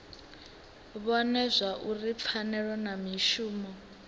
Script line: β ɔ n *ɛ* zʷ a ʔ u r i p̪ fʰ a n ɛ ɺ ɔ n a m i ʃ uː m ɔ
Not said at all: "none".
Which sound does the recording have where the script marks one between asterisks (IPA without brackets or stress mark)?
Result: ɛ